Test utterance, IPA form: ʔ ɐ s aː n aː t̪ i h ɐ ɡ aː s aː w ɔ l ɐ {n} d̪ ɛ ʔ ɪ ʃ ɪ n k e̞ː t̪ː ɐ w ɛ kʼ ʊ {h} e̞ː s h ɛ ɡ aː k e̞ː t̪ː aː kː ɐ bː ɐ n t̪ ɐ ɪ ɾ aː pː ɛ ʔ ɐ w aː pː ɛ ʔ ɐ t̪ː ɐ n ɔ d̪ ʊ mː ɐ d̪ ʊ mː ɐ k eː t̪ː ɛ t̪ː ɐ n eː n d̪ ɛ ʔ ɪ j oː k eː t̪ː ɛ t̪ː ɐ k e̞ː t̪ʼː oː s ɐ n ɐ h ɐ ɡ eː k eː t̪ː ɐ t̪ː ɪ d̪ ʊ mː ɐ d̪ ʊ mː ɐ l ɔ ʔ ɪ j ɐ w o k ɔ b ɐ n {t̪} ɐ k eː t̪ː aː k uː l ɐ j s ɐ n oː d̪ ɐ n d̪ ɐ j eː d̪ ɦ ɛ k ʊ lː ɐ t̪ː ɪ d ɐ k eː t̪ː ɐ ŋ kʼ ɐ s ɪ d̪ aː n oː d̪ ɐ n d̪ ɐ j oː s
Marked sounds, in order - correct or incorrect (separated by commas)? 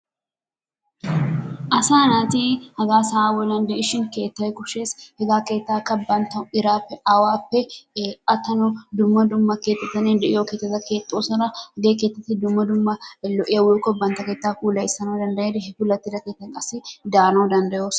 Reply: correct, incorrect, correct